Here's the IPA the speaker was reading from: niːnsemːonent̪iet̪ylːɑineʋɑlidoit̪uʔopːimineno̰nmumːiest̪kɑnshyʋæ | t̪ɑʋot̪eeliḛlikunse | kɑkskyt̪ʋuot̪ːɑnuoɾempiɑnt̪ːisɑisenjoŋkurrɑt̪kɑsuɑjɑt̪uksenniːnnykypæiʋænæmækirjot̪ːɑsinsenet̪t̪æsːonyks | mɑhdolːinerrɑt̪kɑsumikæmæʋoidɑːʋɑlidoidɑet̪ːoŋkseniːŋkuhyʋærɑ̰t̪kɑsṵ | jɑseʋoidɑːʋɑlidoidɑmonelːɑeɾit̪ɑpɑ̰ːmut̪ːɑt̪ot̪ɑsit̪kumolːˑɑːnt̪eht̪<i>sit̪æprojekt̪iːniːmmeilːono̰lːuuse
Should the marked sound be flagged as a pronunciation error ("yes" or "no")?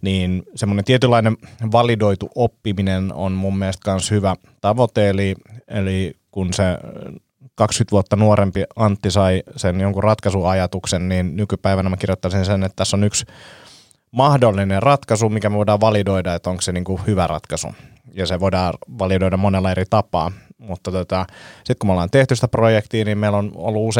yes